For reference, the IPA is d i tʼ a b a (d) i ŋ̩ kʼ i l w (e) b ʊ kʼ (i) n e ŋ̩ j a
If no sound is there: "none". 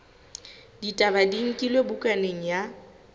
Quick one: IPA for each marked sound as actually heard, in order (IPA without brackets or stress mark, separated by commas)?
d, e, a